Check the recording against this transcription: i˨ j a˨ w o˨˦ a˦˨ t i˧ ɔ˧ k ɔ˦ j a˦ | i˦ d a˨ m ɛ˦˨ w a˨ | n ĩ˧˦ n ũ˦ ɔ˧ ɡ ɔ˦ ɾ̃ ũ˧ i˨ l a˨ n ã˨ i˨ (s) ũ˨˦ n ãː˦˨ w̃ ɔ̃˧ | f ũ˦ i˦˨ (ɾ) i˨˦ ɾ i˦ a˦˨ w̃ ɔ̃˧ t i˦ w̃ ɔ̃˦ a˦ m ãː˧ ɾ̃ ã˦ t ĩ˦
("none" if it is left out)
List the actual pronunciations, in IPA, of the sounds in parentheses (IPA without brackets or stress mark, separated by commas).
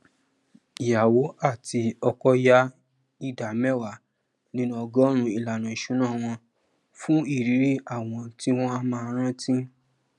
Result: ʃ, ɾ